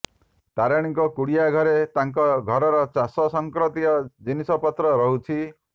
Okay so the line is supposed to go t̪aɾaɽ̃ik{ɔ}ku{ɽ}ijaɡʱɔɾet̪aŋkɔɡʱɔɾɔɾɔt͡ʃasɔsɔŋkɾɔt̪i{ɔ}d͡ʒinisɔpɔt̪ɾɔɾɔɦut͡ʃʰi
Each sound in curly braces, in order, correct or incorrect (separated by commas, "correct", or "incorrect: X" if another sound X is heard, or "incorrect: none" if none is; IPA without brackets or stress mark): correct, correct, correct